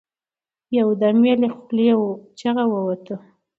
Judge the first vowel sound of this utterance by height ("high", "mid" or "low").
low